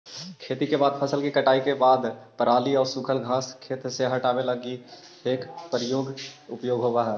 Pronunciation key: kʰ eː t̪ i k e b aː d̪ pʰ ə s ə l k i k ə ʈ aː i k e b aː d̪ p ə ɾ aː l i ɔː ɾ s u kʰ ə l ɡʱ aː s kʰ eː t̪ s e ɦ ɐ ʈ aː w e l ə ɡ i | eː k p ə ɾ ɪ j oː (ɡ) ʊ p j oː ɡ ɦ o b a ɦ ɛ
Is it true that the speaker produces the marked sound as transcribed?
yes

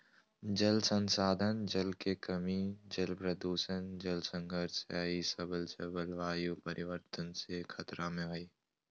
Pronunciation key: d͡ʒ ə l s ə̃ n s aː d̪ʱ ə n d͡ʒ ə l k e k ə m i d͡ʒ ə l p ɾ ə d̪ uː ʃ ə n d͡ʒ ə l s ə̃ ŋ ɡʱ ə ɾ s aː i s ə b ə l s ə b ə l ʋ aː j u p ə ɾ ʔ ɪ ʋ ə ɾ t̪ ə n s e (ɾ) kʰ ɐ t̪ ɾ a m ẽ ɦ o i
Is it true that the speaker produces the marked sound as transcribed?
no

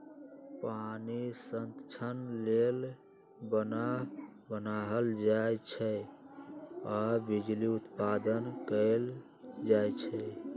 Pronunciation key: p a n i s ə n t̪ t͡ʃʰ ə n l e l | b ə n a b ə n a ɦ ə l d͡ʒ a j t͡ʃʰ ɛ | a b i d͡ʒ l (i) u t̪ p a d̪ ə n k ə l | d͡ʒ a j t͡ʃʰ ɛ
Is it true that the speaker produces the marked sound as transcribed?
yes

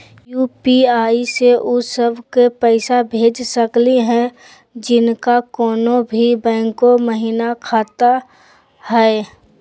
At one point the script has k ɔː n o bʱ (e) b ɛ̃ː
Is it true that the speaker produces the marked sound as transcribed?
no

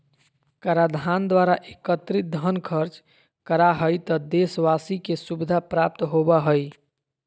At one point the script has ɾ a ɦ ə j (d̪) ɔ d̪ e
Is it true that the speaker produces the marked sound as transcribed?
no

